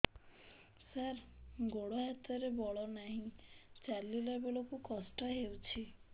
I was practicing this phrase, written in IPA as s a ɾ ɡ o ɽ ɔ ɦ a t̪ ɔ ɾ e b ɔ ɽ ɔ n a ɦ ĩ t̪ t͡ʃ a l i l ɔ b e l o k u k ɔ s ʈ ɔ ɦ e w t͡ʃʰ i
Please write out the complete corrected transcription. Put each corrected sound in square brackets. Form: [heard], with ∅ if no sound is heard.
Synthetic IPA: s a ɾ ɡ o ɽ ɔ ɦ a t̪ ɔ ɾ e b ɔ [ɭ] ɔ n a ɦ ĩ [∅] t͡ʃ a l i l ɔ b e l o k u k ɔ s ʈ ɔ ɦ e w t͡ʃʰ i